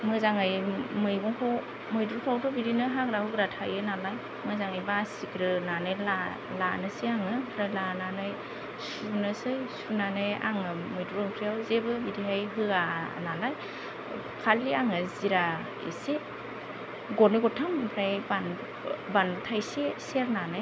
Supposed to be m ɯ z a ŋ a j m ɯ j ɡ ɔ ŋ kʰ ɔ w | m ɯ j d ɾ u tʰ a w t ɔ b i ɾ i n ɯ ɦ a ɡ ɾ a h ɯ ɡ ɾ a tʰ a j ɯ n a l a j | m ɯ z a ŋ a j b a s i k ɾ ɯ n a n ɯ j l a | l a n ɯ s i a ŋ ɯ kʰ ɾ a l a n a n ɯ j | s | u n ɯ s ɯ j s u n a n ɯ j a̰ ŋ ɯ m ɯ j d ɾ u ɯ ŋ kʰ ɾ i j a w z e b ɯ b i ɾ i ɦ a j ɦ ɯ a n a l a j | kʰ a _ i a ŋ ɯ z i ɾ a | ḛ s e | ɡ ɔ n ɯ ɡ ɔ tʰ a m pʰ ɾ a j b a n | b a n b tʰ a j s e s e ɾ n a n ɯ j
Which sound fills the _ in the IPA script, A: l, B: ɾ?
A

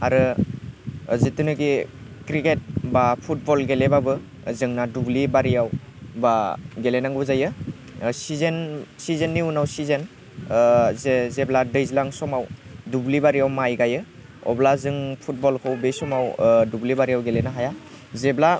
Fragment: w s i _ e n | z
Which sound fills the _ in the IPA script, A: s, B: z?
B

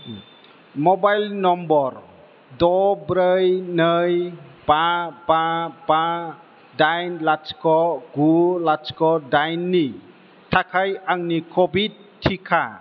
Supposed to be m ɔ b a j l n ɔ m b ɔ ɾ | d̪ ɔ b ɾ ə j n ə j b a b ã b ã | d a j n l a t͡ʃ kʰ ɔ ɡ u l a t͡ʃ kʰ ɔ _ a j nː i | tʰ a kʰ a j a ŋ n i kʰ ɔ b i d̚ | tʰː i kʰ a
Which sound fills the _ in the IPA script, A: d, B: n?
A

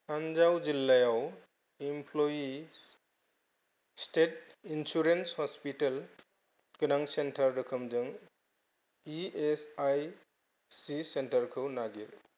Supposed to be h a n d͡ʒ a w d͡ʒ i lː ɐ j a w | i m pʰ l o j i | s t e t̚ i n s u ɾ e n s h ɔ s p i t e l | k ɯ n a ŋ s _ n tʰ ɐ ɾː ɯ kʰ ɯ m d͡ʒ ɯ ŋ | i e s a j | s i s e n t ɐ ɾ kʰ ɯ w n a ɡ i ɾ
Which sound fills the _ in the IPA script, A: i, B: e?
B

